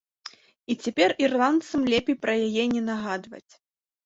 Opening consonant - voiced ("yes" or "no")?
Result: no